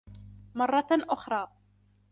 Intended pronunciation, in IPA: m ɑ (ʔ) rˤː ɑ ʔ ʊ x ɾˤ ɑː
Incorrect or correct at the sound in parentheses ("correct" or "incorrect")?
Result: incorrect